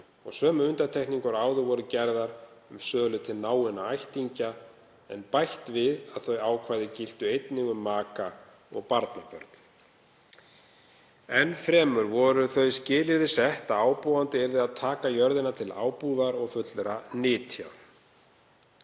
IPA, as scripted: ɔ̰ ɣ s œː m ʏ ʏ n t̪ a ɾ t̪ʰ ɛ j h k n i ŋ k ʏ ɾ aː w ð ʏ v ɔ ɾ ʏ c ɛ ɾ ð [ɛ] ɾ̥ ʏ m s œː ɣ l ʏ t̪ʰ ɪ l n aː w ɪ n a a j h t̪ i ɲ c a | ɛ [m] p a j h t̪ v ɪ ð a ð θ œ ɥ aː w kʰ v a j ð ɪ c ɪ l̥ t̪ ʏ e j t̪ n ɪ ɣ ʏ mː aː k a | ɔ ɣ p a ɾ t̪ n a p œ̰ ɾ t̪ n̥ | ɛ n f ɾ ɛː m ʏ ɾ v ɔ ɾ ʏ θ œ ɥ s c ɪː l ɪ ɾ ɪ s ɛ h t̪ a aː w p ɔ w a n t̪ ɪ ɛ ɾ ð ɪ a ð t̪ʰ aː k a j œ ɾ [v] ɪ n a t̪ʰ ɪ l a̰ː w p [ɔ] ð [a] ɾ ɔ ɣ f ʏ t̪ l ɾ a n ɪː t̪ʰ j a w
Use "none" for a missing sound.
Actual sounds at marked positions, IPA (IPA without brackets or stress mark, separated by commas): a, n, ð, u, a